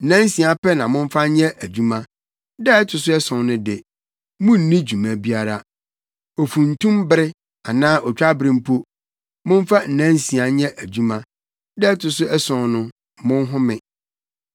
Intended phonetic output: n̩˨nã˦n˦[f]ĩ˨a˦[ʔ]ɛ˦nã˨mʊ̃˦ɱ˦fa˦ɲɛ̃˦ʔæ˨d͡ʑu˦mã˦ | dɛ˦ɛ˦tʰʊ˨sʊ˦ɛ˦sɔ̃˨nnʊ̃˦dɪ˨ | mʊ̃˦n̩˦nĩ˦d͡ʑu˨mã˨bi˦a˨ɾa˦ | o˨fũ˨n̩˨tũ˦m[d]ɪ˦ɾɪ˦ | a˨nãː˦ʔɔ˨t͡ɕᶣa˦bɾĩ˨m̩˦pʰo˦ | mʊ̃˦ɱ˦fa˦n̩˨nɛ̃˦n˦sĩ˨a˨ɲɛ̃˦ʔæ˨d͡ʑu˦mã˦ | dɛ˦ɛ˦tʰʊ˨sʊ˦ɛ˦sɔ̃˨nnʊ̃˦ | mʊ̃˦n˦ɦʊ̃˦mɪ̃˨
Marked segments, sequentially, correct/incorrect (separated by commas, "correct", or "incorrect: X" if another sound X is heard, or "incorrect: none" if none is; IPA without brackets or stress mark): incorrect: s, incorrect: p, incorrect: b